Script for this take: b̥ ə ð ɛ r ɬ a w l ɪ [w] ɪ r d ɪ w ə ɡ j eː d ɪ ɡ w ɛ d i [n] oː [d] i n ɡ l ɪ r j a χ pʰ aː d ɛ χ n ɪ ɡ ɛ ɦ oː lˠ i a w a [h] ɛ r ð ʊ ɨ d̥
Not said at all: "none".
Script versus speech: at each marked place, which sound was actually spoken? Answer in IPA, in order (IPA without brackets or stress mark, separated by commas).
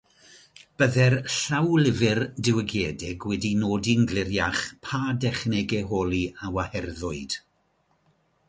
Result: v, n, d, h